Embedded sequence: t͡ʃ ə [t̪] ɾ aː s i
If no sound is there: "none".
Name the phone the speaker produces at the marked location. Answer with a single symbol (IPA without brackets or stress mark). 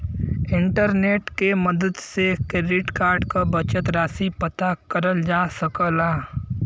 t̪